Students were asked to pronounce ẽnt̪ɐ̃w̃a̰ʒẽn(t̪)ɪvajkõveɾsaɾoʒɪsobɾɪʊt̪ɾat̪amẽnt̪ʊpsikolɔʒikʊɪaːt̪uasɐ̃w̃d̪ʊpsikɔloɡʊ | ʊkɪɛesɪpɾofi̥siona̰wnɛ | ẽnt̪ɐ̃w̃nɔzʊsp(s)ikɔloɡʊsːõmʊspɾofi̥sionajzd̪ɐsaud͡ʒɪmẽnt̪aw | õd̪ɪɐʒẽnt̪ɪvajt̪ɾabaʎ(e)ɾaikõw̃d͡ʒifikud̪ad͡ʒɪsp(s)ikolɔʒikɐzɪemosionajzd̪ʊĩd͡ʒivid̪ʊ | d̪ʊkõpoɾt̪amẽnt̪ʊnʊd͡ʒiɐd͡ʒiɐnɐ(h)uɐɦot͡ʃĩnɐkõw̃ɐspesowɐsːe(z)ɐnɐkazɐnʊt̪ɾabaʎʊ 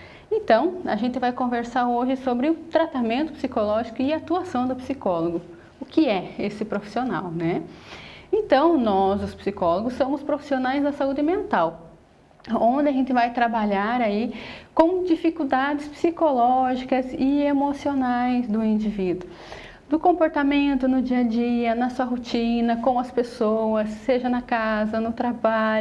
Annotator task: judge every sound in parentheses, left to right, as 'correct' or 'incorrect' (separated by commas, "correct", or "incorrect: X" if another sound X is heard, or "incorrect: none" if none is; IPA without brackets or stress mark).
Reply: correct, correct, incorrect: a, correct, incorrect: s, incorrect: ʒ